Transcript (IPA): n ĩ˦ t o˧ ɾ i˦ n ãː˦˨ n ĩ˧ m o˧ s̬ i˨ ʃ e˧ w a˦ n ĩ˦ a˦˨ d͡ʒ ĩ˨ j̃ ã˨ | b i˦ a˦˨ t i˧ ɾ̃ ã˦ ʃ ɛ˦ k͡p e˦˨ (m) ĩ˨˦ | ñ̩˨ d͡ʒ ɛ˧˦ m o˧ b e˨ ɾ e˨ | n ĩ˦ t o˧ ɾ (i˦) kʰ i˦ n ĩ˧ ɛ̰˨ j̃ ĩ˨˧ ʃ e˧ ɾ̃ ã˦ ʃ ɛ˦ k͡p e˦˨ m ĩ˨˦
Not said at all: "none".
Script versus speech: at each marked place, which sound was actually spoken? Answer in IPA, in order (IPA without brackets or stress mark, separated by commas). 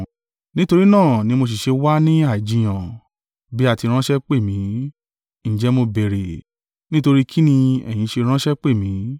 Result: m, i˦